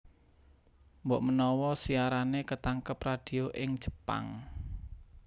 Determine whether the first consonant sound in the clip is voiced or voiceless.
voiced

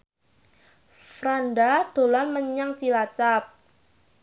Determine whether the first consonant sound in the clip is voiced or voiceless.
voiceless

